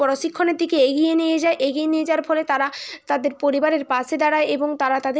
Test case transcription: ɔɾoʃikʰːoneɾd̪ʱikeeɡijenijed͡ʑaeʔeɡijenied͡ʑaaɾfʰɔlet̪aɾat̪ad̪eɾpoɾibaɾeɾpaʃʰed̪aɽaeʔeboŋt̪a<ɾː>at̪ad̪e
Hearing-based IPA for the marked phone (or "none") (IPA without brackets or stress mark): ɾ